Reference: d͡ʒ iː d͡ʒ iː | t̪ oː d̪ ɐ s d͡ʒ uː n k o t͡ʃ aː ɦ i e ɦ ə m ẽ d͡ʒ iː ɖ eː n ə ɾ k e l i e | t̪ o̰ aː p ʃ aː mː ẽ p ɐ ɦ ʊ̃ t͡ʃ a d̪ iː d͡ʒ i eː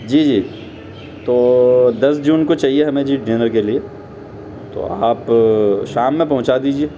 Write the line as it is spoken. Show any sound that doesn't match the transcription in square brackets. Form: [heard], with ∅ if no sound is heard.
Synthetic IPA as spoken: d͡ʒ iː d͡ʒ iː | t̪ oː d̪ ɐ s d͡ʒ uː n k o t͡ʃ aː ɦ i e ɦ [ɐ] m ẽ d͡ʒ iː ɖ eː n ə ɾ k e l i e | t̪ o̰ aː p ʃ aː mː ẽ p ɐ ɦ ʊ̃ t͡ʃ a d̪ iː d͡ʒ i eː